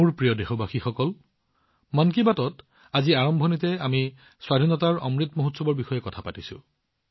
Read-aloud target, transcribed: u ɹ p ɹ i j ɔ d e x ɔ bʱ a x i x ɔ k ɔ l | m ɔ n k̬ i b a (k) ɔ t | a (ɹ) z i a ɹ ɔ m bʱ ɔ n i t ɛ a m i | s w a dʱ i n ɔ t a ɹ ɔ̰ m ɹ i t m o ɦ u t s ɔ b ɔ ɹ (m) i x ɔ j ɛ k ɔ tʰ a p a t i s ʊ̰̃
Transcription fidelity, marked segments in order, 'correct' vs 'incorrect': incorrect: t, incorrect: none, incorrect: b

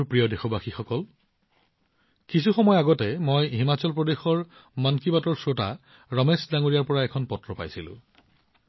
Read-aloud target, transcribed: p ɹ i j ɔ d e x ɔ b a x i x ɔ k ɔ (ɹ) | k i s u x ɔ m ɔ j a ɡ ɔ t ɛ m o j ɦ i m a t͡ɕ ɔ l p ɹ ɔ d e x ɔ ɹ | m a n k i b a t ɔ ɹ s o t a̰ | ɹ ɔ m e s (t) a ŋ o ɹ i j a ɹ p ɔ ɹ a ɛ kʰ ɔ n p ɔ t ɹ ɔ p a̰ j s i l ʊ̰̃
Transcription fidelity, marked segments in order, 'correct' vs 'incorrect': incorrect: l, incorrect: d

